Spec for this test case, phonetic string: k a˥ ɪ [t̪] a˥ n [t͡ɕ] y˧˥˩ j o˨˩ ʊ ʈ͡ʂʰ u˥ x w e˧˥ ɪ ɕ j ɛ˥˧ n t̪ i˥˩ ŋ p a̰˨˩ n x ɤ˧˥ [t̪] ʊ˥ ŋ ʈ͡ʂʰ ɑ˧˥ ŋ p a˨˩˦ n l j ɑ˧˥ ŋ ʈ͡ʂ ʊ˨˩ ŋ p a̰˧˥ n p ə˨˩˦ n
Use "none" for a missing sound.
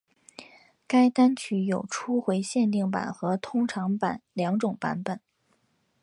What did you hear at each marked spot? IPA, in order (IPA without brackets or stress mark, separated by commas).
t̪, t͡ɕʰ, t̪ʰ